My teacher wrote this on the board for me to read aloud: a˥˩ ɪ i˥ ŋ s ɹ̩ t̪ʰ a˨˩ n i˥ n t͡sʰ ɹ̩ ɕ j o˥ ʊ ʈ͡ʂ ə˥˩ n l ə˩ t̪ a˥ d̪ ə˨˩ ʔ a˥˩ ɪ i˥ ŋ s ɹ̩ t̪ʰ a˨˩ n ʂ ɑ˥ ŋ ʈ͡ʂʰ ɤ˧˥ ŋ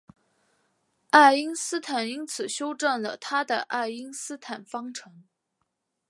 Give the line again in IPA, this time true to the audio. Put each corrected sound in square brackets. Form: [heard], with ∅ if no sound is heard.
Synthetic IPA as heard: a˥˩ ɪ i˥ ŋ s ɹ̩ t̪ʰ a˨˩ n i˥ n t͡sʰ ɹ̩ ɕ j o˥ ʊ ʈ͡ʂ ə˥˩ n l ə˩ [t̪ʰ] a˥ d̪ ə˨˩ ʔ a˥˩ ɪ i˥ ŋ s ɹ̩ t̪ʰ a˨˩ n [f] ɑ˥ ŋ ʈ͡ʂʰ ɤ˧˥ ŋ